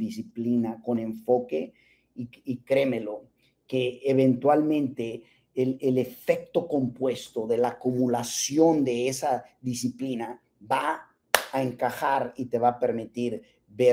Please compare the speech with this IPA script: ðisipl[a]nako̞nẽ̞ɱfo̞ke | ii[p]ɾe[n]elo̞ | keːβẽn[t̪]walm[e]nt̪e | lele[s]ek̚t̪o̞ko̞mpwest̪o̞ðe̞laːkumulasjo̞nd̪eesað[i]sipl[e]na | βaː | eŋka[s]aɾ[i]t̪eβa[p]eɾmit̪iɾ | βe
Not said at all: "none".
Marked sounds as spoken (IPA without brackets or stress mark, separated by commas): i, k, m, t̪, ẽ, f, i, i, x, i, p